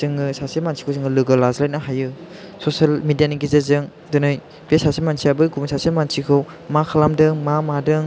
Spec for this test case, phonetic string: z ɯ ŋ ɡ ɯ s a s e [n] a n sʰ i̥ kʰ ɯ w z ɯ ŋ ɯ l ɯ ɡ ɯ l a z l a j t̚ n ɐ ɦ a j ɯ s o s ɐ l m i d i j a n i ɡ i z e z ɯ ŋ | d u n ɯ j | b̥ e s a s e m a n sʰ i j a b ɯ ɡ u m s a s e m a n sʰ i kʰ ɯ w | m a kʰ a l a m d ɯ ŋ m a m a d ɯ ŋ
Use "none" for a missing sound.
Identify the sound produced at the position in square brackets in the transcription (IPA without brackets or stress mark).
m